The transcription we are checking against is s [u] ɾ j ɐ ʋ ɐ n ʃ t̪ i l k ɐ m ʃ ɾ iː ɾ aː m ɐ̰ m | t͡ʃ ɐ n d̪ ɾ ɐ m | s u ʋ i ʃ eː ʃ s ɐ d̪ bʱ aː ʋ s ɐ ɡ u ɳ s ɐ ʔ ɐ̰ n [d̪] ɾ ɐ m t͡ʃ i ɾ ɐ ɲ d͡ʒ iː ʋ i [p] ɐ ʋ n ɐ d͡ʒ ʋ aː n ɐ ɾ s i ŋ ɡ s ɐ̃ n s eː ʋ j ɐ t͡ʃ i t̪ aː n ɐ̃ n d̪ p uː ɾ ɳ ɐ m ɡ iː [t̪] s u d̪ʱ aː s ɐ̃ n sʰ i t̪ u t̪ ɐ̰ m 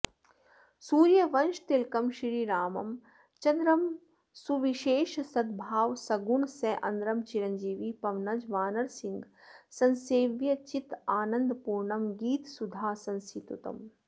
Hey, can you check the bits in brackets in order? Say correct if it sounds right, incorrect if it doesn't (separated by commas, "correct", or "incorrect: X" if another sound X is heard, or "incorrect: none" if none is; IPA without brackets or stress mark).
incorrect: uː, correct, correct, correct